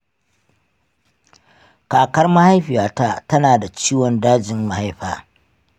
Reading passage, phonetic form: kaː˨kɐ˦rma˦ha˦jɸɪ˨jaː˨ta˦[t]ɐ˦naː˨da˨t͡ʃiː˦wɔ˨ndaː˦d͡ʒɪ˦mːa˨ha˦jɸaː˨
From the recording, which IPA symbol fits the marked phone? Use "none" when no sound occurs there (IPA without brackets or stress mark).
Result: t